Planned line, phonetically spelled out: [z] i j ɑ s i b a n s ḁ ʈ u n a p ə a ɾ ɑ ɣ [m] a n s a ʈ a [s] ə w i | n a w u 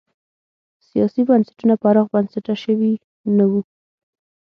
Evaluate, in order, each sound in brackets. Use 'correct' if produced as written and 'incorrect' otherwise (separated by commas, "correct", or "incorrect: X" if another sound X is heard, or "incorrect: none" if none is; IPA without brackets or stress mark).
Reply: incorrect: s, incorrect: b, incorrect: ʃ